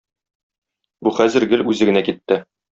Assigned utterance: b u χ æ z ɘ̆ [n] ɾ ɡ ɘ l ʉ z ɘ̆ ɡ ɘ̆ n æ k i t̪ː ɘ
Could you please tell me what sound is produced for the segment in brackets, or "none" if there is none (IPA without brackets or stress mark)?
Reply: none